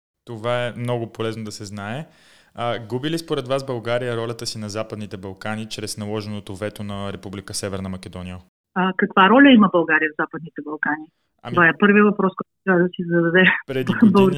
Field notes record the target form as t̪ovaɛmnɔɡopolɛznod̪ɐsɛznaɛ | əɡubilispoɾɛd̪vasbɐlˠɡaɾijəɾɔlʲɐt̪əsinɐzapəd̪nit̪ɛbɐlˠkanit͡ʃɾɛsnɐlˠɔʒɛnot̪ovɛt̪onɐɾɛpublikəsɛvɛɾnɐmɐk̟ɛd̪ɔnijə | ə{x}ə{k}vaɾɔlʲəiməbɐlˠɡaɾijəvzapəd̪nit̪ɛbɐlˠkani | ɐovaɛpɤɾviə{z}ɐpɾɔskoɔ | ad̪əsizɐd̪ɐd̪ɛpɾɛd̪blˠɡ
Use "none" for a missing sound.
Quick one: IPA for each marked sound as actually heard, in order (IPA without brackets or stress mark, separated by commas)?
k, k, v